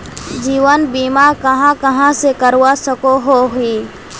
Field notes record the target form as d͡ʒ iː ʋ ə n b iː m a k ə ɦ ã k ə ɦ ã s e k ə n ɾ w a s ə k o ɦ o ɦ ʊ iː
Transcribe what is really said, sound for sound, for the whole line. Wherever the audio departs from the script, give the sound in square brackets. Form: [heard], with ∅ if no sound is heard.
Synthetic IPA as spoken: d͡ʒ iː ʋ ə n b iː m a k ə ɦ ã k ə ɦ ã s e k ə [∅] ɾ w a s ə k o ɦ o ɦ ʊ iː